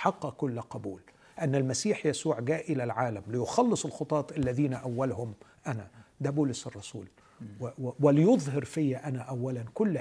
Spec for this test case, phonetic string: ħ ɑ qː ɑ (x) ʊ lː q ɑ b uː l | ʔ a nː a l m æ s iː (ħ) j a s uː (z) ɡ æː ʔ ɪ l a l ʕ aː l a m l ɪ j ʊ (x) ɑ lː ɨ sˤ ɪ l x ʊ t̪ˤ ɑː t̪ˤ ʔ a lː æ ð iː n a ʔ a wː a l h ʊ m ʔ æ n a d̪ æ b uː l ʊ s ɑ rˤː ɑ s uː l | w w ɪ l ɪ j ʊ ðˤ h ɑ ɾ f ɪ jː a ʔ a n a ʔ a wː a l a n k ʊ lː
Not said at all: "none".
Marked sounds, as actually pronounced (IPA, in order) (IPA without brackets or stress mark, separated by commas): k, ħ, ʕ, x